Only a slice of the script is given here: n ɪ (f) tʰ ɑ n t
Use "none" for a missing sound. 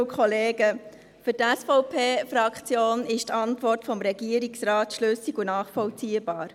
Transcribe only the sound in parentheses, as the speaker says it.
ʃ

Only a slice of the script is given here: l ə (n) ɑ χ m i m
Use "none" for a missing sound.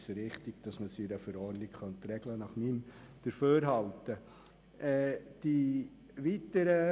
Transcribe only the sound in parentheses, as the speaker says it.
n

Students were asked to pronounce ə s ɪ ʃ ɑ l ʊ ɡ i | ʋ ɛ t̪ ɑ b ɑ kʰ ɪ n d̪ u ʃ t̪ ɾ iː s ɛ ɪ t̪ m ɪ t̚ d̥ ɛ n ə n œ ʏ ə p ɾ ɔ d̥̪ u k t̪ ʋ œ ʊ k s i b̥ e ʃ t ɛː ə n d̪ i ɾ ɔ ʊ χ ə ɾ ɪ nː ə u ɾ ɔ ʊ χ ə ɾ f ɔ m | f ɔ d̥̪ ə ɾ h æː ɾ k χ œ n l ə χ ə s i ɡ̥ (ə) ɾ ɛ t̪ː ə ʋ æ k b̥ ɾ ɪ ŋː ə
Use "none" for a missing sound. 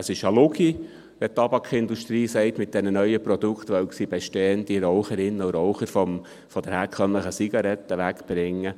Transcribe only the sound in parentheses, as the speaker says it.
ɑ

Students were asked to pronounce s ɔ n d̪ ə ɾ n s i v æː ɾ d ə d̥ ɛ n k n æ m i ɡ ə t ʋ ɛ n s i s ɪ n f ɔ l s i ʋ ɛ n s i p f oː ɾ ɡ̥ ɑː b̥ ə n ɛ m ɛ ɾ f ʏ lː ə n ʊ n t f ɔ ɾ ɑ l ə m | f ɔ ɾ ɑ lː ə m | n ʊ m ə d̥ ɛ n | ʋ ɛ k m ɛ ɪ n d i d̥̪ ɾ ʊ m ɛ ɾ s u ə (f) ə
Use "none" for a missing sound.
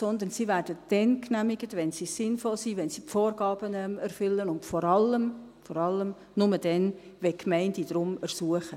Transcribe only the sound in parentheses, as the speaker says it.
χ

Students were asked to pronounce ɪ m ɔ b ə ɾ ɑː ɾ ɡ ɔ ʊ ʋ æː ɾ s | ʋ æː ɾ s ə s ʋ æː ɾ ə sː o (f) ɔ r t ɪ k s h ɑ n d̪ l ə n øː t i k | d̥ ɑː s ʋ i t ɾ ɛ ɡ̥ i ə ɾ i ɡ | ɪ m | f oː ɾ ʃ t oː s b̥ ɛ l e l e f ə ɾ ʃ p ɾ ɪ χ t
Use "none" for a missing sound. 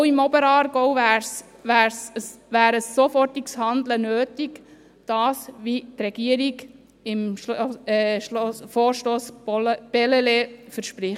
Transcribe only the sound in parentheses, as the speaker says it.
f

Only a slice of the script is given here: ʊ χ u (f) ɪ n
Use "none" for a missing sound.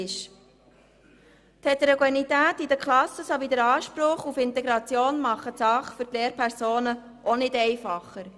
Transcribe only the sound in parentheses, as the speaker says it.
f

